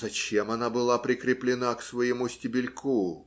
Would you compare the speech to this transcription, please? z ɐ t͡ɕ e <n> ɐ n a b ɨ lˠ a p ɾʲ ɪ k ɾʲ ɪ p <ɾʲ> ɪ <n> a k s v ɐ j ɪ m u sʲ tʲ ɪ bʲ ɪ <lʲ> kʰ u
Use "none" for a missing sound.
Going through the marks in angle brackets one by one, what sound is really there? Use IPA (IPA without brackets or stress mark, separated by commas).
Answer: m, lʲ, n, lʲ